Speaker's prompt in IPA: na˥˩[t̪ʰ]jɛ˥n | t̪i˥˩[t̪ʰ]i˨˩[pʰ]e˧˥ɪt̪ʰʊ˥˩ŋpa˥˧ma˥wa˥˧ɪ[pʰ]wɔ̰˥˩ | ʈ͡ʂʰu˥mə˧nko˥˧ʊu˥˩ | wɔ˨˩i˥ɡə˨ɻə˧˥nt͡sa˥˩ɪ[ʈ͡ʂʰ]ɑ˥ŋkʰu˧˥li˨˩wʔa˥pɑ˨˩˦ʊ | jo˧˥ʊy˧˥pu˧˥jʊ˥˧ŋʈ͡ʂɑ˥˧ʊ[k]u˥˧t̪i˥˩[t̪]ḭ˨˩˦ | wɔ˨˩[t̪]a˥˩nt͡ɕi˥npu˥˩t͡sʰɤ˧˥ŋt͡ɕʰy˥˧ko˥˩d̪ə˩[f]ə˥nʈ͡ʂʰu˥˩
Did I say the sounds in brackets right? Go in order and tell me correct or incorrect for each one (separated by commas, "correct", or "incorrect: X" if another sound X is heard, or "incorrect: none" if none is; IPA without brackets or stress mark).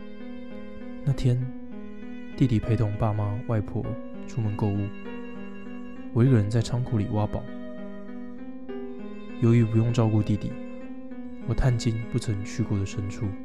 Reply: correct, incorrect: t̪, correct, correct, correct, correct, correct, incorrect: t̪ʰ, incorrect: ʂ